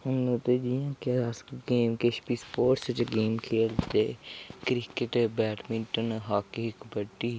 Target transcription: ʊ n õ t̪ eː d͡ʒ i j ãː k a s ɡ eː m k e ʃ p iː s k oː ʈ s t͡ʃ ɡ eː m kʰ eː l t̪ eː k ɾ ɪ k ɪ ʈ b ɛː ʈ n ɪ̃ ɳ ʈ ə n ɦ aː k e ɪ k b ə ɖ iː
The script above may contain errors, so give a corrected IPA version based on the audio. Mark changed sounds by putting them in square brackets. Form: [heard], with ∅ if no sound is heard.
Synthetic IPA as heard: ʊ n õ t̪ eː d͡ʒ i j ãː k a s ɡ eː m k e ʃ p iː s [p] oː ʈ s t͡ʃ ɡ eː m kʰ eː l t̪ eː k ɾ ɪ k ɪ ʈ b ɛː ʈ [m] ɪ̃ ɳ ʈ ə n ɦ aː k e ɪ k b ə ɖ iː

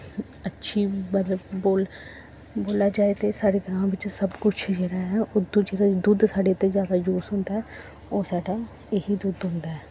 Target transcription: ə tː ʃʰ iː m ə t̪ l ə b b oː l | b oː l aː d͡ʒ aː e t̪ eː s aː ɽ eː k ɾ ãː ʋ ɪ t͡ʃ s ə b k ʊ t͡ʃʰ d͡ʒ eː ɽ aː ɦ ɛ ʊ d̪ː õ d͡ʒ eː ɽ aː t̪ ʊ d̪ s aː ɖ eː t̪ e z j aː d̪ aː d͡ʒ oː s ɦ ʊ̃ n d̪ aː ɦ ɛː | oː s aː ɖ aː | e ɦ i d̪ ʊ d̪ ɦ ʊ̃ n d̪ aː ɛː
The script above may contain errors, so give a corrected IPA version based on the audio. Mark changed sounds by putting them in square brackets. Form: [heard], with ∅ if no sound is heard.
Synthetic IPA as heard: ə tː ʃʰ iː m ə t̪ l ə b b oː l | b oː l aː d͡ʒ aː e t̪ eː s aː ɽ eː [ɡ] ɾ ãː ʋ ɪ t͡ʃ s ə b k ʊ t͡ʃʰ d͡ʒ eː ɽ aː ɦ ɛ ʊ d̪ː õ d͡ʒ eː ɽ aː [d̪] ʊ d̪ s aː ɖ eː t̪ e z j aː d̪ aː d͡ʒ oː s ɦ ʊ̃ n d̪ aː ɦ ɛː | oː s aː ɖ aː | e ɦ i d̪ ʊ d̪ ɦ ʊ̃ n d̪ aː ɛː

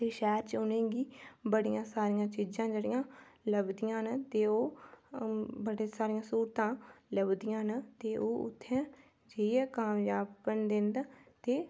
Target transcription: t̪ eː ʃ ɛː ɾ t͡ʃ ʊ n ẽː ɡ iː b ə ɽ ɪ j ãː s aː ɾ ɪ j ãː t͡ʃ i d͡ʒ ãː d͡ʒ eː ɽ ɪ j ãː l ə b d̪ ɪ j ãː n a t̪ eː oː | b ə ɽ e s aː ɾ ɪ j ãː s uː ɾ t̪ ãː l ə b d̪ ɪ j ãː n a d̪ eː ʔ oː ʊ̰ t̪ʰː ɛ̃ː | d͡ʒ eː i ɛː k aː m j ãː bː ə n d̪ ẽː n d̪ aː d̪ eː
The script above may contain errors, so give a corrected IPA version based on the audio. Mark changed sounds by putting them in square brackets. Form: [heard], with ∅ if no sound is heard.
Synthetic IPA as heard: t̪ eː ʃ ɛː ɾ t͡ʃ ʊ n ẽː ɡ iː b ə ɽ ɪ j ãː s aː ɾ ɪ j ãː t͡ʃ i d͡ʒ ãː d͡ʒ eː ɽ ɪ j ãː l ə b d̪ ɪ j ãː n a t̪ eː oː | b ə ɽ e s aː ɾ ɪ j ãː s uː ɾ t̪ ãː l ə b d̪ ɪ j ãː n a [t̪] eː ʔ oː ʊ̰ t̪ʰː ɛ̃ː | d͡ʒ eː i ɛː k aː m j [aː] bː ə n d̪ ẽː n d̪ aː [t̪] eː

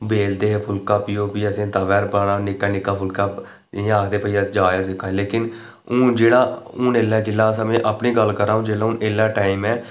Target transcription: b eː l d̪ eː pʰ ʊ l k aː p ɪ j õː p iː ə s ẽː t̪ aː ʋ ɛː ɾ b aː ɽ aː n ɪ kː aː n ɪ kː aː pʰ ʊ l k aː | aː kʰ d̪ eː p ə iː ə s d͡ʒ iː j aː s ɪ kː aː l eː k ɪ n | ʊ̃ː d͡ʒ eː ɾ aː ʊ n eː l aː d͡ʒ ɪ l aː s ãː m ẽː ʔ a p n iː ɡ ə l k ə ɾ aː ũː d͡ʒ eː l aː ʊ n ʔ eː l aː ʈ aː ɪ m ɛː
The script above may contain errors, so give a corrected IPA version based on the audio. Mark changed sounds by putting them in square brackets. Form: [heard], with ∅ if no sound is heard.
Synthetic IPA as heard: b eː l d̪ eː pʰ ʊ l k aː p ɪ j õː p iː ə s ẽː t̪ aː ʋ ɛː ɾ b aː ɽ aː n ɪ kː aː n ɪ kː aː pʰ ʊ l k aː | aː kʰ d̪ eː p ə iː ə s d͡ʒ [aː] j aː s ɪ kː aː l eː k ɪ n | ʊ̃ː d͡ʒ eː [ɽ] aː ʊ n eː l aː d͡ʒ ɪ l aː s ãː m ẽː ʔ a p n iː ɡ ə l k ə ɾ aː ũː d͡ʒ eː l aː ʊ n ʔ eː l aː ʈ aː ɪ m ɛː

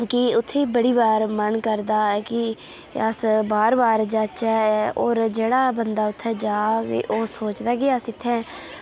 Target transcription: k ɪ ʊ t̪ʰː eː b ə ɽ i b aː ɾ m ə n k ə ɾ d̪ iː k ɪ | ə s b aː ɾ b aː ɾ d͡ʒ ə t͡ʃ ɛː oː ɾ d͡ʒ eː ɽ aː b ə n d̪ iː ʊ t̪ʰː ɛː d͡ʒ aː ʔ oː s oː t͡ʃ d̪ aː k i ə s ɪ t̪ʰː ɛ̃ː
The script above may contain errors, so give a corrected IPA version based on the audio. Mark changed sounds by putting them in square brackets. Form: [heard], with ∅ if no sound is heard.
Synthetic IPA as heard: k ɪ ʊ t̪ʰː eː b ə ɽ [iː] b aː ɾ m ə n k ə ɾ d̪ [aː] k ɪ | ə s b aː ɾ b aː ɾ d͡ʒ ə t͡ʃ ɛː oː ɾ d͡ʒ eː ɽ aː b ə n d̪ [aː] ʊ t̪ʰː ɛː d͡ʒ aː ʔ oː s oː t͡ʃ d̪ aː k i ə s ɪ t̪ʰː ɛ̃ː

